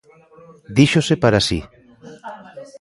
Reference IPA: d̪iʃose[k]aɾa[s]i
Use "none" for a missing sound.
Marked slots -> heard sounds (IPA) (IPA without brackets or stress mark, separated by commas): p, s